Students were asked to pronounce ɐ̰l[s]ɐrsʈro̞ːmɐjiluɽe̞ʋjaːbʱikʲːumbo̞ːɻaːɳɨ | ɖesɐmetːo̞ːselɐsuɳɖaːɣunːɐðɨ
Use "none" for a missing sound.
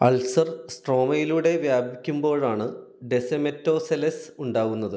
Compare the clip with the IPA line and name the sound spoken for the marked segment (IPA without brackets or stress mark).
s